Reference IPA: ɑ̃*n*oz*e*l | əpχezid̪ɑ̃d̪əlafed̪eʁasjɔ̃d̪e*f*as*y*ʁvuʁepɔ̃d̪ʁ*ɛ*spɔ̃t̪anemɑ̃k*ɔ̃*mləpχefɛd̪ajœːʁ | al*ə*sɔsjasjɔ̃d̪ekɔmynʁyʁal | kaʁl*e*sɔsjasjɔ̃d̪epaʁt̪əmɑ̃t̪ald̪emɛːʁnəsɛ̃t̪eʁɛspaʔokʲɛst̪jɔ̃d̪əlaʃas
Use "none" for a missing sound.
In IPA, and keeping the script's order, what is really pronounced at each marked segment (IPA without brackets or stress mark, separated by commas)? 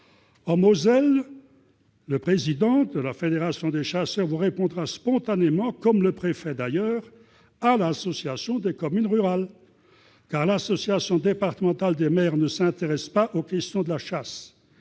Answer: m, ɛ, ʃ, œ, a, ɔ, a, a